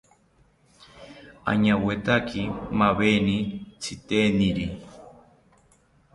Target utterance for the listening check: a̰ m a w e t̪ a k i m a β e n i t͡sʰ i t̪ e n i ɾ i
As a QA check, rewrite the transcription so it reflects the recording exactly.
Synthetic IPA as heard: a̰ ɲ a w e t̪ a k i m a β e n i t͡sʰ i t̪ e n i ɾ i

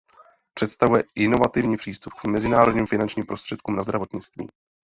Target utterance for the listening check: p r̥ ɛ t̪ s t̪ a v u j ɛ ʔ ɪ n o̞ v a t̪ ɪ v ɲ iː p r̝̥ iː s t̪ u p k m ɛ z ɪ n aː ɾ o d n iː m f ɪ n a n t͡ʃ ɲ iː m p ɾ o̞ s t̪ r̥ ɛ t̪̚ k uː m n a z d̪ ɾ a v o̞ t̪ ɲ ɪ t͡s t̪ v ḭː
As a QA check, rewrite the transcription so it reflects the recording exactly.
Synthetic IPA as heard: p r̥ ɛ t̪ s t̪ a v u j ɛ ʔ ɪ n o̞ v a t̪ ɪ v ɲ iː p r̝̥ iː s t̪ u p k m ɛ z ɪ n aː ɾ o d ɲ iː m f ɪ n a n t͡ʃ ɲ iː m p ɾ o̞ s t̪ r̥ ɛ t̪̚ k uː m n a z d̪ ɾ a v o̞ t̪ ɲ ɪ t͡s t̪ v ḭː

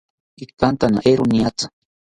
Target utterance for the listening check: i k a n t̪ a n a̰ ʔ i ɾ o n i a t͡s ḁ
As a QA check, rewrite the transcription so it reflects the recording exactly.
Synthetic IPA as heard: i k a n t̪ a n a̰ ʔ e ɾ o n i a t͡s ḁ

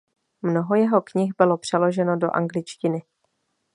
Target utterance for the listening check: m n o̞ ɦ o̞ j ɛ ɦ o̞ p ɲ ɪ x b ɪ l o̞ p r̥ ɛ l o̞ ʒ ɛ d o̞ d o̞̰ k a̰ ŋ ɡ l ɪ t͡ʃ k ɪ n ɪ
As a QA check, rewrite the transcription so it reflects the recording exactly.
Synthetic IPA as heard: m n o̞ ɦ o̞ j ɛ ɦ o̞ k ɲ ɪ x b ɪ l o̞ p r̥ ɛ l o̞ ʒ ɛ n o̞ d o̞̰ ʔ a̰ ŋ ɡ l ɪ t͡ʃ c ɪ n ɪ

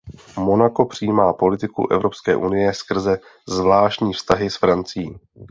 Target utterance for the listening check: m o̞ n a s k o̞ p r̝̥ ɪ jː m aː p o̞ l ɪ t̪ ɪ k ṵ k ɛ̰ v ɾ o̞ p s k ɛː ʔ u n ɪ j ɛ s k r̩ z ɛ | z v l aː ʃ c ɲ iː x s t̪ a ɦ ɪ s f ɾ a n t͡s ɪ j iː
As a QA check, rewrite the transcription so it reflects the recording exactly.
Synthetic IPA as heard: m o̞ n a k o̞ p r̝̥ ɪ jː m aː p o̞ l ɪ t̪ ɪ k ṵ ʔ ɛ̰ v ɾ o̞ p s k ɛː ʔ u n ɪ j ɛ s k r̩ z ɛ | z v l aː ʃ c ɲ iː f s t̪ a ɦ ɪ s f ɾ a n t͡s ɪ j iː

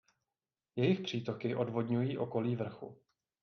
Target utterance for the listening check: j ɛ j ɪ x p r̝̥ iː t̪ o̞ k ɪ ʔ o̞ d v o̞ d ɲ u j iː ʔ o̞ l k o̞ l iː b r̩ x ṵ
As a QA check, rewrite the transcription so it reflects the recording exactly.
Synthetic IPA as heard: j ɛ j ɪ x p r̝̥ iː t̪ o̞ k ɪ ʔ o̞ d v o̞ d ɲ u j iː ʔ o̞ k o̞ l iː v r̩ x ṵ

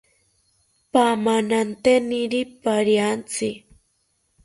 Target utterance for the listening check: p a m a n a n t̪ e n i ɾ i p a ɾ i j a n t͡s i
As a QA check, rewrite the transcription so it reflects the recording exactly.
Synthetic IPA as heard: p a m a n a n t̪ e n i ɾ i p a ɾ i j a n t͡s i

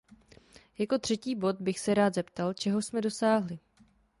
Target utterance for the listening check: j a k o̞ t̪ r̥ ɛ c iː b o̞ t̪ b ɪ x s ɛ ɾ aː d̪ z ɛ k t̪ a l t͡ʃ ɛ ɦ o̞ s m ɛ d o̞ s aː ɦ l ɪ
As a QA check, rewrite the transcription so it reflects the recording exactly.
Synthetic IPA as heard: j a k o̞ t̪ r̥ ɛ c iː b o̞ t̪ b ɪ x s ɛ ɾ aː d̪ z ɛ p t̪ a l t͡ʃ ɛ ɦ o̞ s m ɛ d o̞ s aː ɦ l ɪ

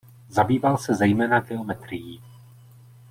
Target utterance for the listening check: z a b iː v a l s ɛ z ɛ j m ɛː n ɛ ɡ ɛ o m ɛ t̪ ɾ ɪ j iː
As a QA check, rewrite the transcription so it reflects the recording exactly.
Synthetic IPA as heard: z a b iː v a l s ɛ z ɛ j m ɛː n a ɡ ɛ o m ɛ t̪ ɾ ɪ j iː

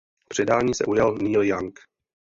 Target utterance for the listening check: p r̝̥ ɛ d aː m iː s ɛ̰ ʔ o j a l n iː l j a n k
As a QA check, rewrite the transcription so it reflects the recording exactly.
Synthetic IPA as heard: p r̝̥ ɛ d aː ɲ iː s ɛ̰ ʔ u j a l n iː l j a ŋ k

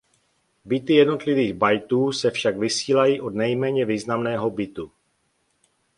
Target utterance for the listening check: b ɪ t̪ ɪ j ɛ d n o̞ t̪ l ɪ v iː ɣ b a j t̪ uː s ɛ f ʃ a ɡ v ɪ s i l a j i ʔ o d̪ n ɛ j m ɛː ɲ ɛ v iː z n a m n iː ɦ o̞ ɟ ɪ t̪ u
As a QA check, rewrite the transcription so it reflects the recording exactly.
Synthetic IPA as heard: b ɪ t̪ ɪ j ɛ d n o̞ t̪ l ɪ v iː ɣ b a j t̪ uː s ɛ f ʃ a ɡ v ɪ s iː l a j i ʔ o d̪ n ɛ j m ɛː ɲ ɛ v iː z n a m n ɛː ɦ o̞ b ɪ t̪ u

